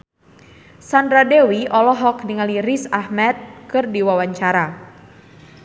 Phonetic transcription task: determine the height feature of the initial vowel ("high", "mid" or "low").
low